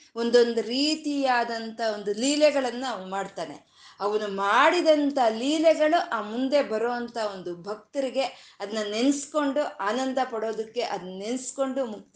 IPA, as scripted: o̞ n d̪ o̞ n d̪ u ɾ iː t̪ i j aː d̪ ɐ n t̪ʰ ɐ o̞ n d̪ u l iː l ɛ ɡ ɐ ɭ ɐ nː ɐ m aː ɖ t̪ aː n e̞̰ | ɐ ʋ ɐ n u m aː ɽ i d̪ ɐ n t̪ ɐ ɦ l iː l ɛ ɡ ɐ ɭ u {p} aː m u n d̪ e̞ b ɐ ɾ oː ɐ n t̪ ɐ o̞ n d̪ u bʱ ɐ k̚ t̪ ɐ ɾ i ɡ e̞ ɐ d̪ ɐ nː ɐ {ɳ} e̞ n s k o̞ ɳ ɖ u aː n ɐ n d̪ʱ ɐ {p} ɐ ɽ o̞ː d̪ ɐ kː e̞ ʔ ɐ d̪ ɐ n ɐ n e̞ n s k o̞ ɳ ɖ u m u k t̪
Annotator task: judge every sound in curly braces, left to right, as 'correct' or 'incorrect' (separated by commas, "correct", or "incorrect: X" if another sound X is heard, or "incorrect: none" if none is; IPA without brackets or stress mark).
incorrect: ʔ, incorrect: n, correct